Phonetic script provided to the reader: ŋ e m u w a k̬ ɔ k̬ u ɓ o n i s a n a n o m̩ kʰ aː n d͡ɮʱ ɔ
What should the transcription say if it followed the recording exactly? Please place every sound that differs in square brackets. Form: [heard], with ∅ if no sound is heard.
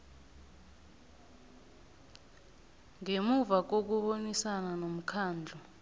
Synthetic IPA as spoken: ŋ e m u [v] a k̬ [o] k̬ u ɓ o n i s a n a n o m̩ kʰ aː n d͡ɮʱ ɔ